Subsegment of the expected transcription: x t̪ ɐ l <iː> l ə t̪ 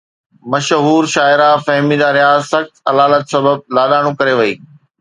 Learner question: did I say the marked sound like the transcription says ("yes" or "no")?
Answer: no